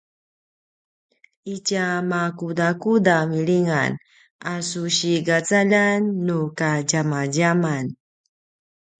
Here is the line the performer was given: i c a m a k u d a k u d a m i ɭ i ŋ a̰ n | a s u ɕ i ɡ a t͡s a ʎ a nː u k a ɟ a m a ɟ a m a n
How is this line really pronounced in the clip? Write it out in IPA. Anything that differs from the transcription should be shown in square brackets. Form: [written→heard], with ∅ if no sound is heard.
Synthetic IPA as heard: i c a m a k u d a k u d a m i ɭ i ŋ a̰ n | a s u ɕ i ɡ a t͡s a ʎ a nː u k a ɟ a m a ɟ a m a n

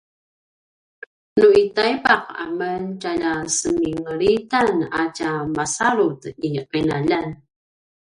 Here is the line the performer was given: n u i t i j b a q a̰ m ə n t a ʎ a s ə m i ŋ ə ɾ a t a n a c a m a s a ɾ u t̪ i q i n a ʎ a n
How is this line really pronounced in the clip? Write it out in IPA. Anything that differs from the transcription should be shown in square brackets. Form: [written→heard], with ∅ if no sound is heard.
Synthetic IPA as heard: n u i t [i→a] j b a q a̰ m ə n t a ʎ a s ə m i ŋ ə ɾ [a→i] t a n a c a m a s a ɾ u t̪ i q i n a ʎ a n

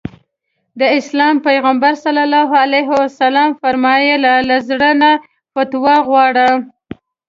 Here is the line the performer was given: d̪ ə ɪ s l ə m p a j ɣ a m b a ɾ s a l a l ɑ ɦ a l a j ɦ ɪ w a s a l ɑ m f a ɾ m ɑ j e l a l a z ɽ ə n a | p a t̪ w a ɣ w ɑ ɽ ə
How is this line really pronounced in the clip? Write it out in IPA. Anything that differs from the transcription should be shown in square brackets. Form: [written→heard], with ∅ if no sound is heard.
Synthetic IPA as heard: d̪ ə ɪ s l [ə→ɑ] m p a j ɣ a m b a ɾ s a l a l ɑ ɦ a l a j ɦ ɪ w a s a l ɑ m f a ɾ m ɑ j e l a l a z ɽ ə n a | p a t̪ w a ɣ w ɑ ɽ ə

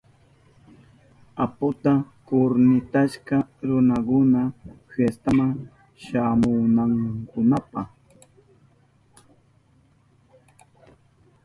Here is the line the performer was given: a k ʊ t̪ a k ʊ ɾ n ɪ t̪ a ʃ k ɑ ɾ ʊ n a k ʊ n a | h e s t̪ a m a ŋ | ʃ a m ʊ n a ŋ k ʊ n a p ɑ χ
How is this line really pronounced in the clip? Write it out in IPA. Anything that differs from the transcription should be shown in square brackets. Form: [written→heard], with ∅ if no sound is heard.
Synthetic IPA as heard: a [k→p] ʊ t̪ a k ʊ ɾ n ɪ t̪ a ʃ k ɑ ɾ ʊ n a k ʊ n a | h e s t̪ a m a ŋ | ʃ a m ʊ n a ŋ k ʊ n a p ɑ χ

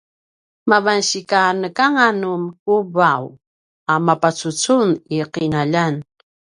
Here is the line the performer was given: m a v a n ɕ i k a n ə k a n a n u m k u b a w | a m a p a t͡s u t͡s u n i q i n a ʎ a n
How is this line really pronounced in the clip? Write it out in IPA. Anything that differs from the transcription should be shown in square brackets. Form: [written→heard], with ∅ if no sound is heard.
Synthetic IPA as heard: m a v a n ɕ i k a n ə k a [n→ŋ] a n u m k u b a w | a m a p a t͡s u t͡s u n i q i n a ʎ a n

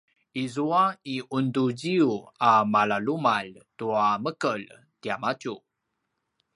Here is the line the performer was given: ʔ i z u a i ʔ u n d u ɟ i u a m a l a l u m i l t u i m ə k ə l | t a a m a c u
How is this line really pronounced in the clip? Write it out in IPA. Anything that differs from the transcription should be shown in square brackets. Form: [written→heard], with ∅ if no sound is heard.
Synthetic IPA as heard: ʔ i z u a i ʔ u n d u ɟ i u a m a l a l u m [i→a] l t u [i→a] m ə k ə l | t [a→i] a m a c u

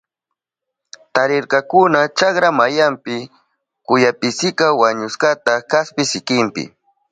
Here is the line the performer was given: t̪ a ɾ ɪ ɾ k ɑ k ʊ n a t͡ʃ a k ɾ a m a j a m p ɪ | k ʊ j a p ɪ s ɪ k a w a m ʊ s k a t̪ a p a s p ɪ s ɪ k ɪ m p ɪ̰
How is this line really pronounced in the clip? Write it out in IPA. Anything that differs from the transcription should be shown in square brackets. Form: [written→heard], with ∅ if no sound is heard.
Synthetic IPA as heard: t̪ a ɾ ɪ ɾ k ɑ k ʊ n a t͡ʃ a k ɾ a m a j a m p ɪ | k ʊ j a p ɪ s ɪ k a w a [m→ɲ] ʊ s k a t̪ a [p→k] a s p ɪ s ɪ k ɪ m p ɪ̰

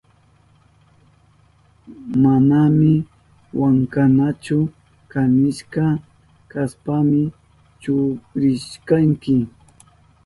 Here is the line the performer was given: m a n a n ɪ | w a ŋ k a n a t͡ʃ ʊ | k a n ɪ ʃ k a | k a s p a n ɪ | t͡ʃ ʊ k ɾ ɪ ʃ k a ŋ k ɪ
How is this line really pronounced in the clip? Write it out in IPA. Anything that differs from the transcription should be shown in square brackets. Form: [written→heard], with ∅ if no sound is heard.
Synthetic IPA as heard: m a n a [n→m] ɪ | w a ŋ k a n a t͡ʃ ʊ | k a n ɪ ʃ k a | k a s p a [n→m] ɪ | t͡ʃ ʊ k ɾ ɪ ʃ k a ŋ k ɪ

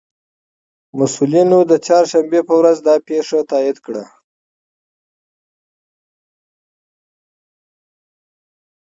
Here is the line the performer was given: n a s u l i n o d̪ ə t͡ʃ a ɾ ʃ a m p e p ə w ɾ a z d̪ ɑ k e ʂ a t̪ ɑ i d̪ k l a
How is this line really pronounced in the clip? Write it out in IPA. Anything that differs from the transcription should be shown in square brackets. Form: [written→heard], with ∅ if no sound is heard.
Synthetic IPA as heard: [n→m] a s u l i n o d̪ ə t͡ʃ [a→ɑ] ɾ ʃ a m [p→b] e p ə w ɾ a z d̪ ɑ [k→p] e ʂ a t̪ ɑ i d̪ k [l→ɽ] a

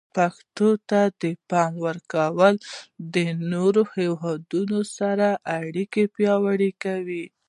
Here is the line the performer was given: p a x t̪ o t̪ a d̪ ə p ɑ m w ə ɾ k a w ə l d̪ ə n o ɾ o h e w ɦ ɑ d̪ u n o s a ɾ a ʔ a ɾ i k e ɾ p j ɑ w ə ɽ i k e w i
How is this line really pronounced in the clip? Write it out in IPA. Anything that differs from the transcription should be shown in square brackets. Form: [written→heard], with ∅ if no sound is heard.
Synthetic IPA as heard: p a x t̪ o t̪ a d̪ ə p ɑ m w ə ɾ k a w ə l d̪ ə n o ɾ o h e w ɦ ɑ d̪ u n o s a ɾ a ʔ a [ɾ→ɽ] i k e [ɾ→∅] p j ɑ w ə ɽ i k [e→a] w i

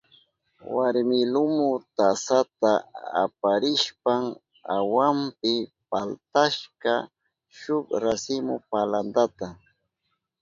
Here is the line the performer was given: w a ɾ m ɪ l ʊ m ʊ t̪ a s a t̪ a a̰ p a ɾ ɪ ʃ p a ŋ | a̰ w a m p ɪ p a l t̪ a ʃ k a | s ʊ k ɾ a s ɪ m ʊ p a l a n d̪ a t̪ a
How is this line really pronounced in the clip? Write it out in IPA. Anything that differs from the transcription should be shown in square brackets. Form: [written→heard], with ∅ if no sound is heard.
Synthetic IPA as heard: w a ɾ m ɪ l ʊ m ʊ t̪ a s a t̪ a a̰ p a ɾ ɪ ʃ p a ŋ | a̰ w a m p ɪ p a l t̪ a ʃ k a | [s→ʃ] ʊ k ɾ a s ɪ m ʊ p a l a n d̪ a t̪ a

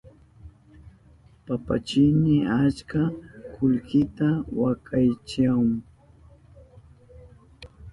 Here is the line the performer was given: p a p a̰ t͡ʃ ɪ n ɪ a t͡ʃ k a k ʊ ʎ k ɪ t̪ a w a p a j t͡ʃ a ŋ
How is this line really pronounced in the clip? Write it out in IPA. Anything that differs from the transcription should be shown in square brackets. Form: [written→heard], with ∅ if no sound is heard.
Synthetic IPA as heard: p a p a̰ t͡ʃ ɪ n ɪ a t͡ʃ k a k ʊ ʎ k ɪ t̪ a w a [p→k] a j t͡ʃ a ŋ

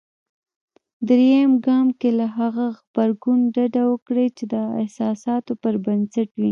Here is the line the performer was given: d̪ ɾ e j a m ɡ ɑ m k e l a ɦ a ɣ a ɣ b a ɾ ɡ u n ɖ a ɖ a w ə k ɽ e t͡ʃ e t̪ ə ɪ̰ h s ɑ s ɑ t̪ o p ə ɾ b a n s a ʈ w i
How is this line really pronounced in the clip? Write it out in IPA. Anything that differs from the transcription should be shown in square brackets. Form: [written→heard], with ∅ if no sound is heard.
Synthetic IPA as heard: d̪ ɾ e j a m ɡ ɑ m k e l a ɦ a ɣ a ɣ b a ɾ ɡ u n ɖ a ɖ a w ə k ɽ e t͡ʃ e [t̪→d̪] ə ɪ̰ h s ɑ s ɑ t̪ o p ə ɾ b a n s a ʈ w i

